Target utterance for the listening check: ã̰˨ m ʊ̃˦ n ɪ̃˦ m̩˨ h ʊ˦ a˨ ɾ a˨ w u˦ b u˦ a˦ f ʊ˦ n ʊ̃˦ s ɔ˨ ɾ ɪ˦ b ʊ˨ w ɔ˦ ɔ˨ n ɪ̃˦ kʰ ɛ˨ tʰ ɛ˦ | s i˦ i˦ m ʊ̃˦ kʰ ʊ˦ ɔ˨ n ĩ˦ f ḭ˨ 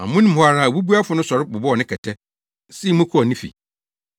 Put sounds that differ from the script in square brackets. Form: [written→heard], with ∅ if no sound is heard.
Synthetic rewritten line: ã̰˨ m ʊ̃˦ n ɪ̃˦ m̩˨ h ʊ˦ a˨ ɾ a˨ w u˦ b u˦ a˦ f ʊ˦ n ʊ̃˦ s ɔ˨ ɾ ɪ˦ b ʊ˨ [w→b] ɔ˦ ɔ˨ n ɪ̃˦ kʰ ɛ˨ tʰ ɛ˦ | s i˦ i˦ m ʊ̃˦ kʰ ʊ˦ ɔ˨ n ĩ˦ f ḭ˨